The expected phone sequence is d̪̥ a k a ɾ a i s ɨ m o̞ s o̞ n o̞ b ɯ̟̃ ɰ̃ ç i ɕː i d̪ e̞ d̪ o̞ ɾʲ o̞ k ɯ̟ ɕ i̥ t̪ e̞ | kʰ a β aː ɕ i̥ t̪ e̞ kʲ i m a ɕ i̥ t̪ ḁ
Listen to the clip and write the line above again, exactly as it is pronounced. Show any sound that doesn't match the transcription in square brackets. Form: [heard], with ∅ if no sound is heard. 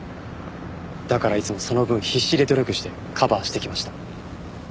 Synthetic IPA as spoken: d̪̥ a k a ɾ a i [t͡s] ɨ m o̞ s o̞ n o̞ b ɯ̟̃ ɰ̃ ç i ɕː i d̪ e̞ d̪ o̞ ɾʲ o̞ k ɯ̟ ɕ i̥ t̪ e̞ | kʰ a [b] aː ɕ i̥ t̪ e̞ kʲ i m a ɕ i̥ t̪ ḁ